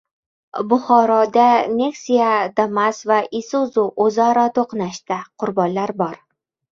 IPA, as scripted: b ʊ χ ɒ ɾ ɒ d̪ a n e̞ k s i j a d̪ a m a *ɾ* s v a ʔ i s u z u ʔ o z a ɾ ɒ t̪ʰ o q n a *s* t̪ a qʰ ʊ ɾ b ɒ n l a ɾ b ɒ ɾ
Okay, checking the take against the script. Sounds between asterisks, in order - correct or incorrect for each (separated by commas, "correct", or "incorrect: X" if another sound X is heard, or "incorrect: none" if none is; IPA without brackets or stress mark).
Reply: incorrect: none, incorrect: ʃ